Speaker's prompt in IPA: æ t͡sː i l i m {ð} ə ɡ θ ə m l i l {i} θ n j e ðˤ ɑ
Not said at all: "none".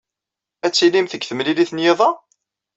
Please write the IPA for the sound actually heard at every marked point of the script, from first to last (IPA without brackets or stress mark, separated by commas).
θ, i